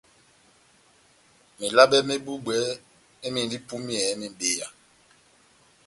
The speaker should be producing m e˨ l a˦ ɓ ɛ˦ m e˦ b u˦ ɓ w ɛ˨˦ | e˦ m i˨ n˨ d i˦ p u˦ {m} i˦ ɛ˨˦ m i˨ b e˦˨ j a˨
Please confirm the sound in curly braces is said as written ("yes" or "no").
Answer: yes